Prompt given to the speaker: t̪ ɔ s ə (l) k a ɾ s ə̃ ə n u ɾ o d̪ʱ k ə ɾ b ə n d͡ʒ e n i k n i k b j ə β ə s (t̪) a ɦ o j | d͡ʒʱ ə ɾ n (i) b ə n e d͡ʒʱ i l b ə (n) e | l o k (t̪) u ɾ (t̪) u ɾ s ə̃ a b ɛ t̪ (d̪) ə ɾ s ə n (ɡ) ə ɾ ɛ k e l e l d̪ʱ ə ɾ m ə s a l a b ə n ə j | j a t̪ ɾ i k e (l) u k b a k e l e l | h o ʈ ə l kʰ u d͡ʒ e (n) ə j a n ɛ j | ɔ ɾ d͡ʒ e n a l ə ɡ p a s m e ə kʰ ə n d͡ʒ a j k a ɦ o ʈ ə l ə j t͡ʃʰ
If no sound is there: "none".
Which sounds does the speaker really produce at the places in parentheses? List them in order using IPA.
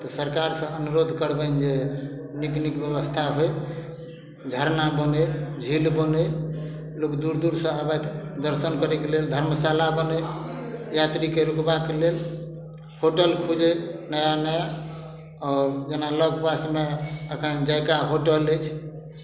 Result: ɾ, t̪ʰ, a, n, d̪, d̪, d̪, k, ɾ, n

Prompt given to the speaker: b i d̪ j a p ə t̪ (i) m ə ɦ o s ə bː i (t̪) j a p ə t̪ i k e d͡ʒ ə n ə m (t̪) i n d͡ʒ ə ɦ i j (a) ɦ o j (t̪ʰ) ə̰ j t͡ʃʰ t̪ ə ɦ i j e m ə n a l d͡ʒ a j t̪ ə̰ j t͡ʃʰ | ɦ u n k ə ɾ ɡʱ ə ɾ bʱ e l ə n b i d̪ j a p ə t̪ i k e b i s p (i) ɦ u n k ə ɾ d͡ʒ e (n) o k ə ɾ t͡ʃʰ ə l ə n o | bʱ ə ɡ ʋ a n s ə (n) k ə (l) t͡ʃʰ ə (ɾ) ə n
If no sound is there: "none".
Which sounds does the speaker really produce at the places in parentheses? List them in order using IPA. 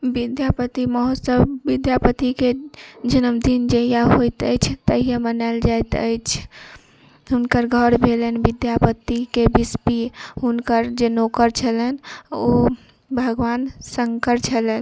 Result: i, d̪, d̪, a, t̪, i, n, ŋ, ɾ, l

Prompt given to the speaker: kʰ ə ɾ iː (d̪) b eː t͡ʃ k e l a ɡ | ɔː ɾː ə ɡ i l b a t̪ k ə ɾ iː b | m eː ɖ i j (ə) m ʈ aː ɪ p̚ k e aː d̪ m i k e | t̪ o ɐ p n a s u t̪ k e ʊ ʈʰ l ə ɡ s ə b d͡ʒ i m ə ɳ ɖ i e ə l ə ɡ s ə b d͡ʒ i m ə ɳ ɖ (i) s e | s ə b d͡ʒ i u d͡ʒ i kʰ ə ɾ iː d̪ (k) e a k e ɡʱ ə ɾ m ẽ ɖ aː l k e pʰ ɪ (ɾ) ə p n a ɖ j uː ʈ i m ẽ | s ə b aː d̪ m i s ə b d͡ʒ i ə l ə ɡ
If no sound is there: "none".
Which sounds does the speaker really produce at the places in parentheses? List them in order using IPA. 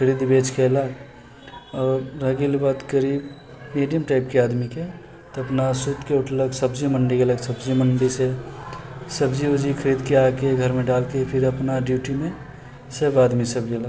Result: d̪, ə, i, k, ɾ

